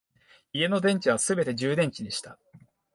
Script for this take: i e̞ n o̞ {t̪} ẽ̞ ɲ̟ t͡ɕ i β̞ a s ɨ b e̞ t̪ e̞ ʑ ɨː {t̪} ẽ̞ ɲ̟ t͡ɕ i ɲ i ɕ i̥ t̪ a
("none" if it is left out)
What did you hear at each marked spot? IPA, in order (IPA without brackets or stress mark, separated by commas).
d̪, d̪